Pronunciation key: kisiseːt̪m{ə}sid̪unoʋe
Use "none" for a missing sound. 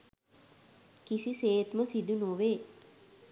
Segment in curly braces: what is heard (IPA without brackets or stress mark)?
ə